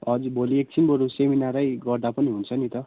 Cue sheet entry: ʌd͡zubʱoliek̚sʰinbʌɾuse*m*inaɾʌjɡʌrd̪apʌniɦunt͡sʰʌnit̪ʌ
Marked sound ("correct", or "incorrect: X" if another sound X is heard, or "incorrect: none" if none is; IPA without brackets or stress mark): correct